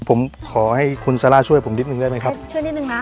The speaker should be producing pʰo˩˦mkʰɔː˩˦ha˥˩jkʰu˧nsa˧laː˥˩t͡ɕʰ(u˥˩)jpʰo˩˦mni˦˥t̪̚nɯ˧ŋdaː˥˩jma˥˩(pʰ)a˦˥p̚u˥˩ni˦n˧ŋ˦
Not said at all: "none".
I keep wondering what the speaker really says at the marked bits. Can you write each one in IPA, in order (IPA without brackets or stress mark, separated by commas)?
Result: u˥˩, kʰ